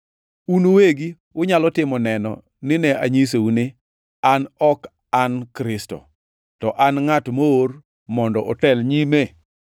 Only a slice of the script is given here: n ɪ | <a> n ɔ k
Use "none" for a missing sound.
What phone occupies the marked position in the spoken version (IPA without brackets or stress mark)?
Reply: a